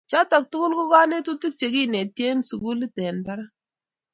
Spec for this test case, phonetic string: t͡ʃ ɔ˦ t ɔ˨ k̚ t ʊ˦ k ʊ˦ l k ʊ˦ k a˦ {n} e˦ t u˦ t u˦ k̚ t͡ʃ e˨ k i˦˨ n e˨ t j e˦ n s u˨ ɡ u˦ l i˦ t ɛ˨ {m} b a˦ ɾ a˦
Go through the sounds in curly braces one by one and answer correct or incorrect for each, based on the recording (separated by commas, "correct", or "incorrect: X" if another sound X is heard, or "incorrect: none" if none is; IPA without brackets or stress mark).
correct, incorrect: n